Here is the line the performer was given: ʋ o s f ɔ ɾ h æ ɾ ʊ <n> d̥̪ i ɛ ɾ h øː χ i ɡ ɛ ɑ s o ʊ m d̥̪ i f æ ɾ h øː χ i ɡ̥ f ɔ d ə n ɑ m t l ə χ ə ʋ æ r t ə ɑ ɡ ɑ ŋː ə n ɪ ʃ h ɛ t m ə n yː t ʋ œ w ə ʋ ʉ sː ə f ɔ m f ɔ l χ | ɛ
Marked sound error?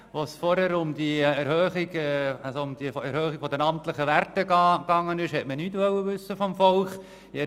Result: yes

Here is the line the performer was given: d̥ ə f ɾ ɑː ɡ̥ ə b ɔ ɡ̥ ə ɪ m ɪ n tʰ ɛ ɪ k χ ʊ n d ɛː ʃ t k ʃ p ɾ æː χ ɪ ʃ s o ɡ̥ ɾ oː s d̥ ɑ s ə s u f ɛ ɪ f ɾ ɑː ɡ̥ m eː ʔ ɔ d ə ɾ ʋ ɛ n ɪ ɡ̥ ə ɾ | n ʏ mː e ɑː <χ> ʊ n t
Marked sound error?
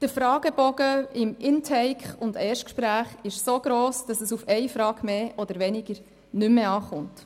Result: no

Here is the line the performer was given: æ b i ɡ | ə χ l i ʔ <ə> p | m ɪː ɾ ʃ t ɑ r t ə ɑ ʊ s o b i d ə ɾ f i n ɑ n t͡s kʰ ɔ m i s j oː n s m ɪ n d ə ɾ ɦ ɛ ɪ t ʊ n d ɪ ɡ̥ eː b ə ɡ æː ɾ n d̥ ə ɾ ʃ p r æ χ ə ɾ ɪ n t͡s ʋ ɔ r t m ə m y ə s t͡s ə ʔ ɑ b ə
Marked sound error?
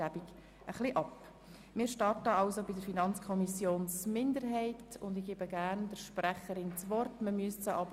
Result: yes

